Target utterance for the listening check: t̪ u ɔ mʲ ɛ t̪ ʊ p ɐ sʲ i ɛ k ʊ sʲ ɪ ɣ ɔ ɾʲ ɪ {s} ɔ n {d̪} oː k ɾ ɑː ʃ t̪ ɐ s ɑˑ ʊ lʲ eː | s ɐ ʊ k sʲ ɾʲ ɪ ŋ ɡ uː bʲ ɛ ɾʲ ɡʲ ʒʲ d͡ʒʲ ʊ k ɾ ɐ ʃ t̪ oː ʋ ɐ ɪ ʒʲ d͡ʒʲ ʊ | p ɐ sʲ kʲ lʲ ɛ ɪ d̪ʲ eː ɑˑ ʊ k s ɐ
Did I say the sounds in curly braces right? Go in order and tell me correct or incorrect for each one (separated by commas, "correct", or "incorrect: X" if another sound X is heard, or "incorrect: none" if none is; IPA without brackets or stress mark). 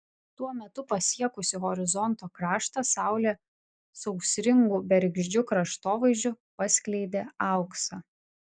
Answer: incorrect: z, incorrect: t̪